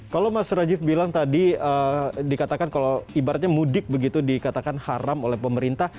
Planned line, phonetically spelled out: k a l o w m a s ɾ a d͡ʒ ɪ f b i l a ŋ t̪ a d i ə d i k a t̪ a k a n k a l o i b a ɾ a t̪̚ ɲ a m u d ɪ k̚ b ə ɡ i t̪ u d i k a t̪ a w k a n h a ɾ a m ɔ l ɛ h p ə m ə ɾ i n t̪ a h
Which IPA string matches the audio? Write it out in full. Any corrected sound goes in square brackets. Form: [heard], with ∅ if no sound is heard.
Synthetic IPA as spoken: k a l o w m a s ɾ a d͡ʒ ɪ f b i l a ŋ t̪ a d i ə d i k a t̪ a k a n k a l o i b a ɾ a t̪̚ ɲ a m u d ɪ k̚ b ə ɡ i t̪ u d i k a t̪ a [∅] k a n h a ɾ a m [o] l ɛ h p ə m ə ɾ i n t̪ a h